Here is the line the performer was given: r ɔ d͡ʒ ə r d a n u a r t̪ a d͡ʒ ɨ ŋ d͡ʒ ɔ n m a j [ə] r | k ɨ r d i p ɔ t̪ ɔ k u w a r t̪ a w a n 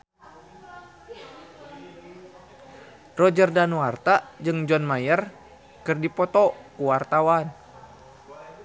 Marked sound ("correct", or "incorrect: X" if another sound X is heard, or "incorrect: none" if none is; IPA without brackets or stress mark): correct